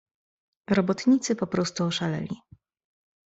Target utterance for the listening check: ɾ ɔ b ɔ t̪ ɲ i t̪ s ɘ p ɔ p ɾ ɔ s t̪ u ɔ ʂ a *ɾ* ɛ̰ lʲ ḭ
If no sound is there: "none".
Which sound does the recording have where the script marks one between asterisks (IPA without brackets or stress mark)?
l